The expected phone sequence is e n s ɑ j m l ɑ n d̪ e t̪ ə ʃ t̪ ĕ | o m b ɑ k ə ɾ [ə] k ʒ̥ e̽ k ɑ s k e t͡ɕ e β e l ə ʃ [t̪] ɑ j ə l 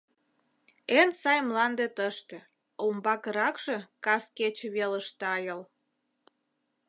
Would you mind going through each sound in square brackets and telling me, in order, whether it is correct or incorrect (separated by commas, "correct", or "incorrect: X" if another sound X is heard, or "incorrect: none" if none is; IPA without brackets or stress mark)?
incorrect: ɑ, correct